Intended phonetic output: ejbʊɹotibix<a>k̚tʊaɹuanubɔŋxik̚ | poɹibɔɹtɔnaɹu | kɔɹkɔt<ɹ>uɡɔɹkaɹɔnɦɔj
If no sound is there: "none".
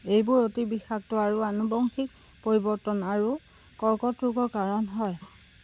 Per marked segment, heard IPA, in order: a, ɹ

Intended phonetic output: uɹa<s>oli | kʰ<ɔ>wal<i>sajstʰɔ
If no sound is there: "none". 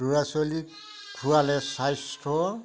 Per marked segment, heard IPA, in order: s, u, ɛ

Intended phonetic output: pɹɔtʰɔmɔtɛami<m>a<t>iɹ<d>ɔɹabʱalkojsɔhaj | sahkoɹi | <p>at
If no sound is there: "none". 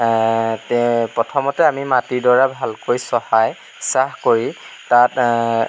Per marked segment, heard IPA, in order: m, t, d, t

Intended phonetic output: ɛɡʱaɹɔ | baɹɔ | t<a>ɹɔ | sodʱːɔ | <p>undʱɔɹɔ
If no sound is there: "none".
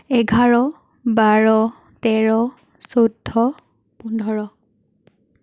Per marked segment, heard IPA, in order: ɛ, p

